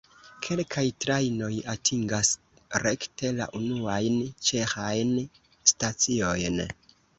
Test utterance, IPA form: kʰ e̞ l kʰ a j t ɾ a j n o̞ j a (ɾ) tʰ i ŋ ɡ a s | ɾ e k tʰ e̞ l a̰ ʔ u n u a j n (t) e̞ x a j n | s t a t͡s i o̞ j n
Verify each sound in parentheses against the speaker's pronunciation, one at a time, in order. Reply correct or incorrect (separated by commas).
incorrect, incorrect